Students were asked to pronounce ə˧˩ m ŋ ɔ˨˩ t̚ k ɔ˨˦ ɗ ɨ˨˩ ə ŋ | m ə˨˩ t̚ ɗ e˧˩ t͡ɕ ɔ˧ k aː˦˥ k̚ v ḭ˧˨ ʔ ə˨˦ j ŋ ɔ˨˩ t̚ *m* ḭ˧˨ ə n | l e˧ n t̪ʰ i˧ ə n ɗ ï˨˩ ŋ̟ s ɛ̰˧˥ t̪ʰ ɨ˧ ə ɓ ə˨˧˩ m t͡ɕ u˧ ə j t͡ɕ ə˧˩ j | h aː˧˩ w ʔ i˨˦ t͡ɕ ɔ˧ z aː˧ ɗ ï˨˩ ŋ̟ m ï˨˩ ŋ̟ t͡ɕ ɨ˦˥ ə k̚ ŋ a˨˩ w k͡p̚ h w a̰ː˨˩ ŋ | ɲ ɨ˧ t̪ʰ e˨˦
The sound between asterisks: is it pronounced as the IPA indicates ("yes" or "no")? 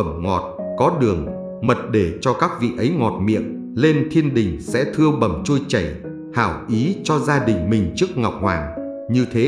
yes